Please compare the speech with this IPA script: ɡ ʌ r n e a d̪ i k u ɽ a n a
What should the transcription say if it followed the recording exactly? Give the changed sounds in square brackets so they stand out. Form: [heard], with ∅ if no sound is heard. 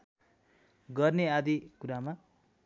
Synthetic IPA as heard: ɡ ʌ r n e a d̪ i k u [ɾ] a [m] a